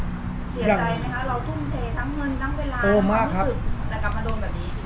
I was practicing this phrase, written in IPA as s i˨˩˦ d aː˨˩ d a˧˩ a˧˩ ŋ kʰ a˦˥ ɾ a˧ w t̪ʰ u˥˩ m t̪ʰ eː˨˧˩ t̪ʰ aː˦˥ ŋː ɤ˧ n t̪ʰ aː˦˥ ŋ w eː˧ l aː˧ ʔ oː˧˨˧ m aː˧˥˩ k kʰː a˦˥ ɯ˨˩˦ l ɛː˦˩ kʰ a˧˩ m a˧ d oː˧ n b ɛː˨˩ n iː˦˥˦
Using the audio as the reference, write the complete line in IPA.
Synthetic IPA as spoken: s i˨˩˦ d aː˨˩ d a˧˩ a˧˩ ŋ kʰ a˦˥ ɾ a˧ w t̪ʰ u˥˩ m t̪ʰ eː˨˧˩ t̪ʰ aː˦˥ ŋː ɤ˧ n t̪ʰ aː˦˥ ŋ w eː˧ l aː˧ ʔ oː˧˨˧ m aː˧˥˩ k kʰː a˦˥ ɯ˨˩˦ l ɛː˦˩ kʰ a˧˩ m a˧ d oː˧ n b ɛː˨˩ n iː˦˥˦